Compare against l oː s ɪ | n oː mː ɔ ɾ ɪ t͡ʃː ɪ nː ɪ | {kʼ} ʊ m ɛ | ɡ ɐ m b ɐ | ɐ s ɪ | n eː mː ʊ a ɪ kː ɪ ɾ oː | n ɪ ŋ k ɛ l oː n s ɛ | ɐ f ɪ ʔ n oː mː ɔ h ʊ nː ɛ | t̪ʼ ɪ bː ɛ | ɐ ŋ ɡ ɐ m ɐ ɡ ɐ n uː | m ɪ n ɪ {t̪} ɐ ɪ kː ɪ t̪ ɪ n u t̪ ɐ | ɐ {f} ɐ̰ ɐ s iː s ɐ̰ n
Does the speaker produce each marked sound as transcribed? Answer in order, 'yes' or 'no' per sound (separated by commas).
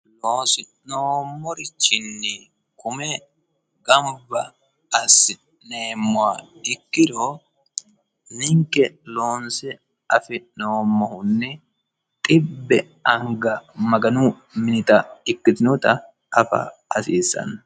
no, yes, yes